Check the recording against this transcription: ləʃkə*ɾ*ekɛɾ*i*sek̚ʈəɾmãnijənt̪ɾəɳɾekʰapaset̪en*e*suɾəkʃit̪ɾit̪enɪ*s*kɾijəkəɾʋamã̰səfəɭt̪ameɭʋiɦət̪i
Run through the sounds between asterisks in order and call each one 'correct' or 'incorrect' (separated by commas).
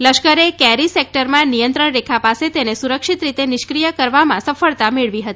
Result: correct, correct, correct, incorrect